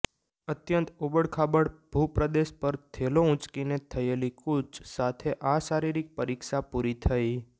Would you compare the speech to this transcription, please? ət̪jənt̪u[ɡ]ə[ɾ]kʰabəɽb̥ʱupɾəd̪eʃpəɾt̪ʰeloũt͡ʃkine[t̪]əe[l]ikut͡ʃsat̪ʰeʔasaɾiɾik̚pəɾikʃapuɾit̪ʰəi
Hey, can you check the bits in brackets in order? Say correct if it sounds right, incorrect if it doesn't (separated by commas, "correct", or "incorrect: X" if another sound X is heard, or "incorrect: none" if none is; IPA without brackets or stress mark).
incorrect: b, incorrect: ɽ, incorrect: t̪ʰ, correct